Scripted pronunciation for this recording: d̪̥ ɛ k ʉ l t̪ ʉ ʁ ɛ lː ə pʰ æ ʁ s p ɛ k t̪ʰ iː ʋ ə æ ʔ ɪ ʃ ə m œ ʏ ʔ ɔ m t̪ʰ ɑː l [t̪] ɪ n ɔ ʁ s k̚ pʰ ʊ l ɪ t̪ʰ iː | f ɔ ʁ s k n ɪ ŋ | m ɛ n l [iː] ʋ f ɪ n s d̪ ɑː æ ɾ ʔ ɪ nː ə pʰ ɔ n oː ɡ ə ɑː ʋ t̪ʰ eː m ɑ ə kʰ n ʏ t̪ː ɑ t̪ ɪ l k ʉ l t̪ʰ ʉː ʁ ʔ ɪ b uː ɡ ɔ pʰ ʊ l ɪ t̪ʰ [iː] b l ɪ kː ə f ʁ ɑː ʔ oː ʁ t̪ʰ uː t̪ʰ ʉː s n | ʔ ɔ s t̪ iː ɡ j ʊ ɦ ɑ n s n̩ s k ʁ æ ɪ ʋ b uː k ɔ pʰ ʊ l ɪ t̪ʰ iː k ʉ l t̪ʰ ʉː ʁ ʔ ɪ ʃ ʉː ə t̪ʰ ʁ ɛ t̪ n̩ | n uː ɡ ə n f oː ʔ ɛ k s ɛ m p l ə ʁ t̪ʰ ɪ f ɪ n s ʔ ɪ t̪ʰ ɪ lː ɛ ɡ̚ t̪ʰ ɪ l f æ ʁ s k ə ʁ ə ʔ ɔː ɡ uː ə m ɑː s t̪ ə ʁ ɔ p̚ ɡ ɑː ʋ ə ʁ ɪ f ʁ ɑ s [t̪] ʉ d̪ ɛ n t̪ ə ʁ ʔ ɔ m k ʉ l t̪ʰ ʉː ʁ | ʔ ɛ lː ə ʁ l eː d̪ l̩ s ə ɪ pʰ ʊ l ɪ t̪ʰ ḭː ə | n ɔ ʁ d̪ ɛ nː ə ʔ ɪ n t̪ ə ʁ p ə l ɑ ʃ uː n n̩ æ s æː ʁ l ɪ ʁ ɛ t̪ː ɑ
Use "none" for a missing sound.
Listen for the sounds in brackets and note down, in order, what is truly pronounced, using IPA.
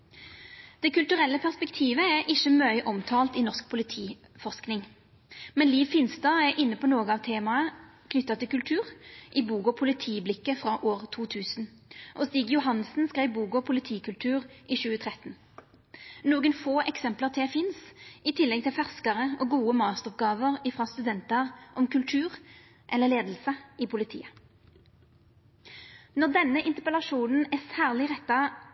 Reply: t̪, iː, iː, t̪

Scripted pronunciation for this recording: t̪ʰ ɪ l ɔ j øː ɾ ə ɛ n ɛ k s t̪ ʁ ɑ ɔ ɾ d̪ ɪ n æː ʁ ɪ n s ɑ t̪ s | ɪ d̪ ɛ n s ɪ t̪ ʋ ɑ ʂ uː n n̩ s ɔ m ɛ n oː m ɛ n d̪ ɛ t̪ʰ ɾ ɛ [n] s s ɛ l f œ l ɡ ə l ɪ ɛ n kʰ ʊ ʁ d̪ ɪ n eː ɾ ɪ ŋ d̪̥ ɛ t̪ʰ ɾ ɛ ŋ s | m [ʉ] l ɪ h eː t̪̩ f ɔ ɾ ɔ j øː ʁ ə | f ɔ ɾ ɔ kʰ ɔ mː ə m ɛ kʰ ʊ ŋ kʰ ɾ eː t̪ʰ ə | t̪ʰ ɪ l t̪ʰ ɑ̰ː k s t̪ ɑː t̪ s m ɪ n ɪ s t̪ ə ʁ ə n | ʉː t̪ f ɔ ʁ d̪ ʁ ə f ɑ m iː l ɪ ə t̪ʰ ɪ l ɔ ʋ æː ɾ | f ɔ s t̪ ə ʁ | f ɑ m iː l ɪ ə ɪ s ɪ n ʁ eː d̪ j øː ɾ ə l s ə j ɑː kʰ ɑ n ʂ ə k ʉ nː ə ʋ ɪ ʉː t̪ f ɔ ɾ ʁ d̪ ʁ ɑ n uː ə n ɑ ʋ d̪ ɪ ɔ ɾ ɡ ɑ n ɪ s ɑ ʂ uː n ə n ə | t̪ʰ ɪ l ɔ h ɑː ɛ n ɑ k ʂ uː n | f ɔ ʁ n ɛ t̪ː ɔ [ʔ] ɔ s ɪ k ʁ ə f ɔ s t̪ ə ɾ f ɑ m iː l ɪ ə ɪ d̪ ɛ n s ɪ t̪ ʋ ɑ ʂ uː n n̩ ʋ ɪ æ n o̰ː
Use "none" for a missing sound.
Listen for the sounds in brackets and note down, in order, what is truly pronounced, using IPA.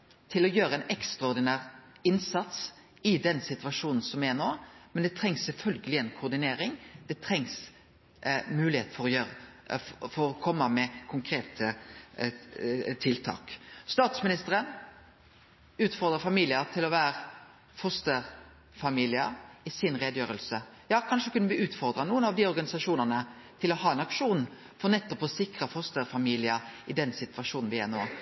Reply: ŋ, ʉː, p

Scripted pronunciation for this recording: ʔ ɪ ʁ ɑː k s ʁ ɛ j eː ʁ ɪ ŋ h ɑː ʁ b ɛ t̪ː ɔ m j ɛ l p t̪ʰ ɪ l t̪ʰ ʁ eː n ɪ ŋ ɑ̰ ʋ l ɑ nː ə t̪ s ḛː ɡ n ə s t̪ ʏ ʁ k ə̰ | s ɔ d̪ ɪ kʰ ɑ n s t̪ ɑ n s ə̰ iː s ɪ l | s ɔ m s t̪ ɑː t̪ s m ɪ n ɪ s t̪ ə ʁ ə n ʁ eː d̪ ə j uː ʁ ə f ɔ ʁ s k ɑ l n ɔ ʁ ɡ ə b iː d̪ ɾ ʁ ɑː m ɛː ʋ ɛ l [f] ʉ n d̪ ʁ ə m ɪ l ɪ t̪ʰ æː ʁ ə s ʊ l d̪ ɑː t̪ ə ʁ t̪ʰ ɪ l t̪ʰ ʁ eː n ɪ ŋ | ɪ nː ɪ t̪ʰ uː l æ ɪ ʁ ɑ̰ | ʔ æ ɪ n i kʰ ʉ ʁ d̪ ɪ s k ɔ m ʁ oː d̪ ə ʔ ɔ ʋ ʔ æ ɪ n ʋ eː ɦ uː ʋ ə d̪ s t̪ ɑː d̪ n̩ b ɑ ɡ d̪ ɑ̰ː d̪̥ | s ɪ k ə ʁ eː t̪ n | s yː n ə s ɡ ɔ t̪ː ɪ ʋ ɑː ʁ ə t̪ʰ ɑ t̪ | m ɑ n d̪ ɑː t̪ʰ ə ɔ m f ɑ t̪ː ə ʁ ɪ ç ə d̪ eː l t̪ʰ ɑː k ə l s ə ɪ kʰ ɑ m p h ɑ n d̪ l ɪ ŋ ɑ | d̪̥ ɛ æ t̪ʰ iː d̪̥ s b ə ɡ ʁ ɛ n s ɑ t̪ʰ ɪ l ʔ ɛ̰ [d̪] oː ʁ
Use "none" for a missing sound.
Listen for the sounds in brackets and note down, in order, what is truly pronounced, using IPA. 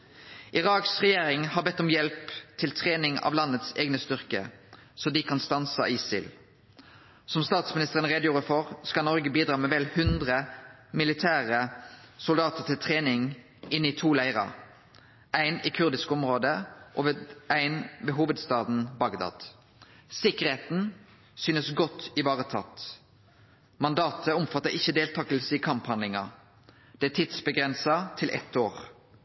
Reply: h, t̪

